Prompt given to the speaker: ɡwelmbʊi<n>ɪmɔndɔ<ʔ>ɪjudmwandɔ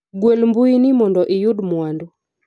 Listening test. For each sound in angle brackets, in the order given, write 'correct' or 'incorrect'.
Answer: correct, correct

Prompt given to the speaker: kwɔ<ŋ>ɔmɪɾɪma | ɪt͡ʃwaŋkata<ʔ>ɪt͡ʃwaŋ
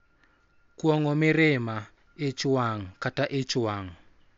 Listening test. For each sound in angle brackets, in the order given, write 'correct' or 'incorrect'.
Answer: correct, correct

